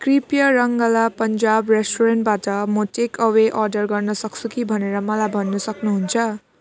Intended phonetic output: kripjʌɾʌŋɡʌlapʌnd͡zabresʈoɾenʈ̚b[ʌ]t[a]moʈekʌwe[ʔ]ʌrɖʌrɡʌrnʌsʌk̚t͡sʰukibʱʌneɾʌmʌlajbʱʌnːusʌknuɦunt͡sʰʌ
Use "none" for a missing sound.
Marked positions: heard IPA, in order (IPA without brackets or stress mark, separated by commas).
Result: a, ʌ, ʔ